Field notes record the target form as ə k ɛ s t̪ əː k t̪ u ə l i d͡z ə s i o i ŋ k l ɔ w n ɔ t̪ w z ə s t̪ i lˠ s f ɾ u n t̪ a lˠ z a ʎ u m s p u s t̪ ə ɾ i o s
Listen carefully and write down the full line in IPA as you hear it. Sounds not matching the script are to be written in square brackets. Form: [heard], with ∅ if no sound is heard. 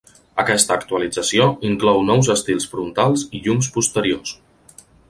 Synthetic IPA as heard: ə k ɛ s t̪ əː k t̪ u ə l i d͡z ə s i o i ŋ k l ɔ w n ɔ [∅] w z ə s t̪ i lˠ s f ɾ u n t̪ a lˠ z [i] ʎ u m s p u s t̪ ə ɾ i o s